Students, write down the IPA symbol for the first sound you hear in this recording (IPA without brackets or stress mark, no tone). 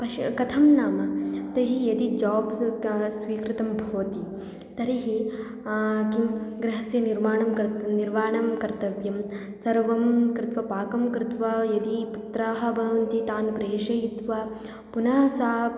p